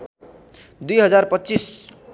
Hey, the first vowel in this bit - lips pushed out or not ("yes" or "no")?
yes